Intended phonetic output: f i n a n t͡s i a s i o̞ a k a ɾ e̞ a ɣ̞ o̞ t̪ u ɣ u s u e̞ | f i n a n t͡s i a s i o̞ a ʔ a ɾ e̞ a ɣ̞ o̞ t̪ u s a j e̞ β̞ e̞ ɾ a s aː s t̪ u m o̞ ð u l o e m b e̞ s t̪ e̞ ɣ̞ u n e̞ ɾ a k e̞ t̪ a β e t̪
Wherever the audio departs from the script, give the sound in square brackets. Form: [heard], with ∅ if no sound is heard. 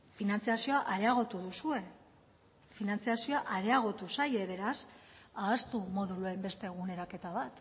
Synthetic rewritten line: f i n a n t͡s i a s i o̞ a [ʔ] a ɾ e̞ a ɣ̞ o̞ t̪ u [ð] u s u e̞ | f i n a n t͡s i a s i o̞ a ʔ a ɾ e̞ a ɣ̞ o̞ t̪ u s a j e̞ β̞ e̞ ɾ a s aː s t̪ u m o̞ ð u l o e m b e̞ s t̪ e̞ ɣ̞ u n e̞ ɾ a k e̞ t̪ a β [a] t̪